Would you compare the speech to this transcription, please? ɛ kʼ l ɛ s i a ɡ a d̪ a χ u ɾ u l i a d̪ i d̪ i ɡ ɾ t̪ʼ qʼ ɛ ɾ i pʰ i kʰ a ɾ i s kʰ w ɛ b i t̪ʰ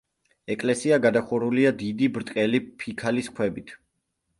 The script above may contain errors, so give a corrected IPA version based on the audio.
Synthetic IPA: ɛ kʼ l ɛ s i a ɡ a d̪ a χ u ɾ u l i a d̪ i d̪ i b ɾ t̪ʼ qʼ ɛ l i pʰ i kʰ a l i s kʰ w ɛ b i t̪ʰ